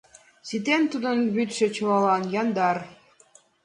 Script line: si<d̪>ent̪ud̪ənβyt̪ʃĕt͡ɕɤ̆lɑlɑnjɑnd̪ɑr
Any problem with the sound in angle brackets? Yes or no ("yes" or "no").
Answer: yes